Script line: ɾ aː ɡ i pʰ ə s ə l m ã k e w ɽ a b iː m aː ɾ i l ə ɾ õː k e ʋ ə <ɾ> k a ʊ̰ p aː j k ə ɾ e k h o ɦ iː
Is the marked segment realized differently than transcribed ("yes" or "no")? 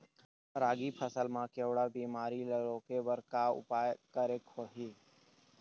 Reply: no